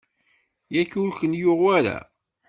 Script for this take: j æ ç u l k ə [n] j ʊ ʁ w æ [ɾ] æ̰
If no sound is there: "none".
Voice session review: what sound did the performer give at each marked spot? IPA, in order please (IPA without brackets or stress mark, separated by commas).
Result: n, ɾ